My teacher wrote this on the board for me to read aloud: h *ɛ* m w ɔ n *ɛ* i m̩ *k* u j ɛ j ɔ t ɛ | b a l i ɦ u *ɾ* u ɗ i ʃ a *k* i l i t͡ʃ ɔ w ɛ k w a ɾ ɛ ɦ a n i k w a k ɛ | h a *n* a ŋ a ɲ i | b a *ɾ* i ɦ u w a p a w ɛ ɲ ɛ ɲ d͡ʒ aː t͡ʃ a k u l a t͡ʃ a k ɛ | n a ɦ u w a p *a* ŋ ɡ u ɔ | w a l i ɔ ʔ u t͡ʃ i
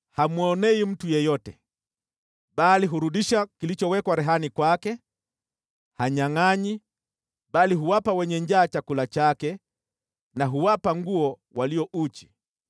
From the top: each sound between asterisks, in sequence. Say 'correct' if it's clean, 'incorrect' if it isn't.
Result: incorrect, correct, incorrect, correct, correct, incorrect, incorrect, correct

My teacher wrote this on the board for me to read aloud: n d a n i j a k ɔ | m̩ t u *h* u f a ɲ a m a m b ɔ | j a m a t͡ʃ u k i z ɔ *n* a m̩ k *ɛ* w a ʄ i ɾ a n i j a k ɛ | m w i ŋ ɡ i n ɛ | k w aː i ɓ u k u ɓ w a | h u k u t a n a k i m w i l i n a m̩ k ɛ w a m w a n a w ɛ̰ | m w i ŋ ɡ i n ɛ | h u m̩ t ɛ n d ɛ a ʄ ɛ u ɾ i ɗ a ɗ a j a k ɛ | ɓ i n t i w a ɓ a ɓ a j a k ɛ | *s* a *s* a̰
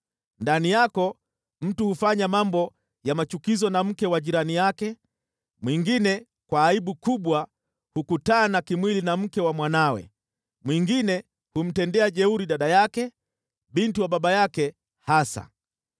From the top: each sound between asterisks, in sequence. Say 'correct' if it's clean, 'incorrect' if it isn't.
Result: correct, correct, correct, incorrect, correct

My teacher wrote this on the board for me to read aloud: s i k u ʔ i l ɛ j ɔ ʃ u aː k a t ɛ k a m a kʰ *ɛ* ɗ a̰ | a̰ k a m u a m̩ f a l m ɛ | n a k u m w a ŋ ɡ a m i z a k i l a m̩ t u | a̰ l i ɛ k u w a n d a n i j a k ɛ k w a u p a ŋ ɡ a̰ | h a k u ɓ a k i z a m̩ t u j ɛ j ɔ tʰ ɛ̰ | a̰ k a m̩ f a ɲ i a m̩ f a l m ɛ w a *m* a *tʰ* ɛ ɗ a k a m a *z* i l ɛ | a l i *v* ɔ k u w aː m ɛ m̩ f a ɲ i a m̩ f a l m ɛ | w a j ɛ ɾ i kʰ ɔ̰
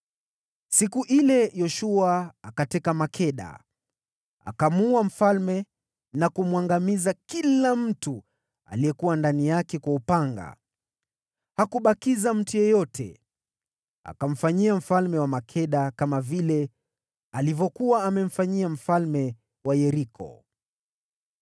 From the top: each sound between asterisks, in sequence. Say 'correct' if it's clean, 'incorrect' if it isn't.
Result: correct, correct, incorrect, incorrect, correct

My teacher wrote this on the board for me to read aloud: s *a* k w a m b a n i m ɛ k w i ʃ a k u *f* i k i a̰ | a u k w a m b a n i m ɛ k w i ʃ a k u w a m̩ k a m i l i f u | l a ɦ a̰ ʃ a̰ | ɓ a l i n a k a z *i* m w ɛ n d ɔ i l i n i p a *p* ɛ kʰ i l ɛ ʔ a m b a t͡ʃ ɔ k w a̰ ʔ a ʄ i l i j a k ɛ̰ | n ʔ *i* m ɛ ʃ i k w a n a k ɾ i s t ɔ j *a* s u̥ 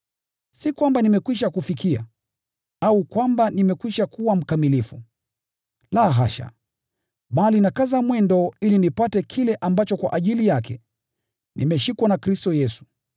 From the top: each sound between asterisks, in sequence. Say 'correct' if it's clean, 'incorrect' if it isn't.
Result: incorrect, correct, incorrect, incorrect, correct, incorrect

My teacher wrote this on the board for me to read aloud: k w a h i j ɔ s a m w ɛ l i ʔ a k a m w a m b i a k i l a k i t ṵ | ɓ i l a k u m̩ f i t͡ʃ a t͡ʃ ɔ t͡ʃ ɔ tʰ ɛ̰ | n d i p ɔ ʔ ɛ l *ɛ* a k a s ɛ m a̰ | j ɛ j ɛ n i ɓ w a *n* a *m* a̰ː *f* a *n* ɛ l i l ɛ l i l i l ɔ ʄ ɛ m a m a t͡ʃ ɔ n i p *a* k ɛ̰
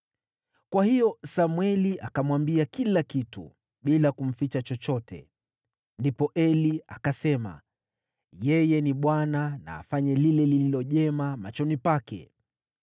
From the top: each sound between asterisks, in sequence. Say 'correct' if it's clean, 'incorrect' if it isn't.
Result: incorrect, correct, incorrect, correct, incorrect, correct

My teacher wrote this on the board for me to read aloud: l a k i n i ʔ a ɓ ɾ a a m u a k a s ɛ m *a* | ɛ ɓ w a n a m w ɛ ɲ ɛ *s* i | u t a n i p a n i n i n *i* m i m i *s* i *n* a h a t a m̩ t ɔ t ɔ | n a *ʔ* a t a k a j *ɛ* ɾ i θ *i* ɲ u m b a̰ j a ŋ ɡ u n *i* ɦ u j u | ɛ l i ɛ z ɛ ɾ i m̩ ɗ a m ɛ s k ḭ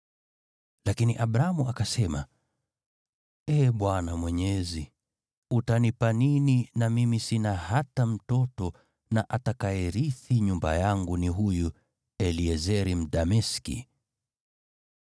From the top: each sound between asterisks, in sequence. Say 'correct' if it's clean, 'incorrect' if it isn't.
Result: correct, incorrect, incorrect, correct, correct, correct, correct, correct, correct

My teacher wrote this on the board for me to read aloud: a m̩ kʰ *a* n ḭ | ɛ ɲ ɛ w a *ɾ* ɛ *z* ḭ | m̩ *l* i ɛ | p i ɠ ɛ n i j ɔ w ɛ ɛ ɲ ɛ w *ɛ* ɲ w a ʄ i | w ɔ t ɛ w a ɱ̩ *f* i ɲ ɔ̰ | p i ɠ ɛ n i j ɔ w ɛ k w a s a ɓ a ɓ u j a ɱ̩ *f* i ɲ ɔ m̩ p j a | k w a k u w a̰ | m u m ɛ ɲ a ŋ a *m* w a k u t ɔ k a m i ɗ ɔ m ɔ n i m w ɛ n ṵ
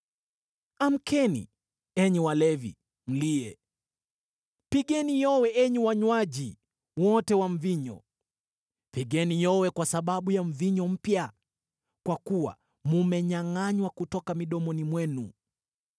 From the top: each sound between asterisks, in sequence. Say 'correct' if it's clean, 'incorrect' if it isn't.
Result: incorrect, incorrect, incorrect, correct, incorrect, incorrect, incorrect, incorrect

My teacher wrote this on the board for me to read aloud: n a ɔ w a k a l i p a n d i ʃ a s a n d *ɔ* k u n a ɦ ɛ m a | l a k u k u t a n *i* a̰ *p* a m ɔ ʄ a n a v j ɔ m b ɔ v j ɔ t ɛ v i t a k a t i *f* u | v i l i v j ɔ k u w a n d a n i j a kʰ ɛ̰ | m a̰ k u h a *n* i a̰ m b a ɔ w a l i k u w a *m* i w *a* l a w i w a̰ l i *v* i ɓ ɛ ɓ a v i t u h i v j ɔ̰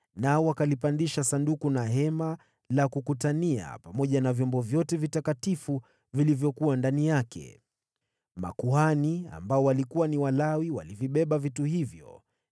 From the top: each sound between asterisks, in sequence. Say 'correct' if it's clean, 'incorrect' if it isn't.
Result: incorrect, correct, correct, correct, correct, incorrect, correct, correct

